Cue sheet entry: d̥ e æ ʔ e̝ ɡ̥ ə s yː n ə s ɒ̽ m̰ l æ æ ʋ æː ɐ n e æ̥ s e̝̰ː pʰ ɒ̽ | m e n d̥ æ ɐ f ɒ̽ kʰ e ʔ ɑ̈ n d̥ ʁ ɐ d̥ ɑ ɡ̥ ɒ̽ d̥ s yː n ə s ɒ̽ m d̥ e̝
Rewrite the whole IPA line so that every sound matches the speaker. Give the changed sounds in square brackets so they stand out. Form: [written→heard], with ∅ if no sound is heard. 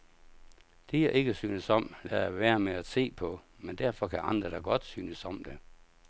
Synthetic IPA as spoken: d̥ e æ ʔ e̝ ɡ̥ ə s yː n ə s ɒ̽ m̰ l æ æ ʋ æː ɐ [n→m] e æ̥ s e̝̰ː pʰ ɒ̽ | m e n d̥ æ ɐ f ɒ̽ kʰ [e→æ] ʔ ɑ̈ n d̥ ʁ ɐ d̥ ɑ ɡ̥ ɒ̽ d̥ s yː n ə s ɒ̽ m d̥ e̝